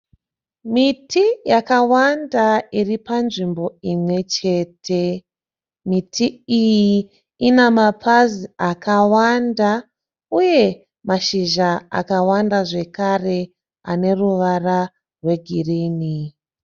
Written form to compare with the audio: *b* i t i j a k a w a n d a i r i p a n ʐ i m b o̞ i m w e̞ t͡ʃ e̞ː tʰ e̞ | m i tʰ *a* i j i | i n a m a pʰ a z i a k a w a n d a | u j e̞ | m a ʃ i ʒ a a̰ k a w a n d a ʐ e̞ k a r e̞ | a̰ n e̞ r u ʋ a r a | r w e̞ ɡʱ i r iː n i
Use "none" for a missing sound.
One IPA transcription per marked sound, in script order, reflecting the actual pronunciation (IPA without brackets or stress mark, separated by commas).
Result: m, i